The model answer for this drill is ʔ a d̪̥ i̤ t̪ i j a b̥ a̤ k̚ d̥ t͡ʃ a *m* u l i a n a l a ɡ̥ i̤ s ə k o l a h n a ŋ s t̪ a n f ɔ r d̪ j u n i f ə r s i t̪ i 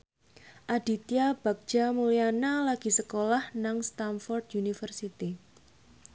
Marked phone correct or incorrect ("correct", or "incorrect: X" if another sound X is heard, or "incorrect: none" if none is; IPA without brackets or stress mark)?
correct